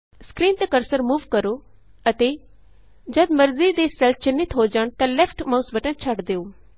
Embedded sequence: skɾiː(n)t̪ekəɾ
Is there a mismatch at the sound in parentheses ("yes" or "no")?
no